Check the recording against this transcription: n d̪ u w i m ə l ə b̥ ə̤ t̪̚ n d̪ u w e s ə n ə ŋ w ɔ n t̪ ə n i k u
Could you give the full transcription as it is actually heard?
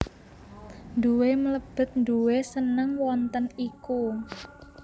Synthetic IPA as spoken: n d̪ u w e m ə l ə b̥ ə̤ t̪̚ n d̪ u w e s ə n ə ŋ w ɔ n t̪ ə n i k u

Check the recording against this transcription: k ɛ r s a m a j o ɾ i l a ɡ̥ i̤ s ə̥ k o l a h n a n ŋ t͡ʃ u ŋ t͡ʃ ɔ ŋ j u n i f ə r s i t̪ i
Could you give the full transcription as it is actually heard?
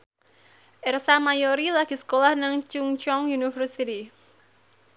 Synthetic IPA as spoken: ʔ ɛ r s a m a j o ɾ i l a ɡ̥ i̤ s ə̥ k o l a h n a ŋ t͡ʃ u ŋ t͡ʃ ɔ ŋ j u n i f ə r s i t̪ i

